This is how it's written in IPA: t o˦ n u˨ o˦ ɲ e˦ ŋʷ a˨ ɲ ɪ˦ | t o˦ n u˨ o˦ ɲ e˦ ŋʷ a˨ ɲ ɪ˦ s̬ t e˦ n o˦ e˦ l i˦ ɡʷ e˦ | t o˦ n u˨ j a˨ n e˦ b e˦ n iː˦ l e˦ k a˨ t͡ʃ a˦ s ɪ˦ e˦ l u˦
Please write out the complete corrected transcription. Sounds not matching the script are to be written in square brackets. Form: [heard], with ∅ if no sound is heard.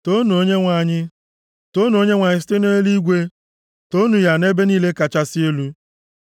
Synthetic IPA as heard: t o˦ n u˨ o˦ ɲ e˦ ŋʷ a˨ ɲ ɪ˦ | t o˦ n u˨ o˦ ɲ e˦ ŋʷ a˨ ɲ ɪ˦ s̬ t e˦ n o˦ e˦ l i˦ ɡʷ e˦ | t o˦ n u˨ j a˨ n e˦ b e˦ n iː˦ l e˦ k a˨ t͡ʃ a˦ s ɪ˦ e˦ l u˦